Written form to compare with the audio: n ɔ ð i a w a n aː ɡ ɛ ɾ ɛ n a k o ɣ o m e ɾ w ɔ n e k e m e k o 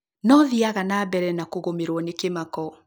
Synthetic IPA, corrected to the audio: n ɔ ð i a ɣ a n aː b ɛ ɾ ɛ n a k o ɣ o m e ɾ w ɔ n e k e m a k ɔ